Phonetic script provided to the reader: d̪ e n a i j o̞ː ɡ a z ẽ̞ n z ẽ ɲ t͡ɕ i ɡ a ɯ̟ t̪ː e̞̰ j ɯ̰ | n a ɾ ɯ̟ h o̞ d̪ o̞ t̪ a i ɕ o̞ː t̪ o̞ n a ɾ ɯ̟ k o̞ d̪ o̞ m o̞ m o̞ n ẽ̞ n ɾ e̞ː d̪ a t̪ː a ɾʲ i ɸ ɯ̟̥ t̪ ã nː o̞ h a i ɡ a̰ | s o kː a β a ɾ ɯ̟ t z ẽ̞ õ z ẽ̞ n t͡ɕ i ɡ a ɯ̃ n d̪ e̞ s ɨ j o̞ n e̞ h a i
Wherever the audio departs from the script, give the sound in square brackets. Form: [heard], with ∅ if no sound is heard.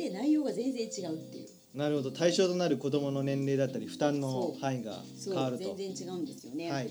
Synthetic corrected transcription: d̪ e n a i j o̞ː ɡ a z ẽ̞ n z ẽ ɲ t͡ɕ i ɡ a ɯ̟ t̪ː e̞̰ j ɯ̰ | n a ɾ ɯ̟ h o̞ d̪ o̞ t̪ a i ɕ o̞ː t̪ o̞ n a ɾ ɯ̟ k o̞ d̪ o̞ m o̞ [n] o̞ n ẽ̞ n ɾ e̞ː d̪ a t̪ː a ɾʲ i ɸ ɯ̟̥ t̪ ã nː o̞ h a i ɡ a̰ | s o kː a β a ɾ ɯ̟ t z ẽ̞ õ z ẽ̞ [ɲ] t͡ɕ i ɡ a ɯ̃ n d̪ e̞ s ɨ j o̞ n e̞ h a i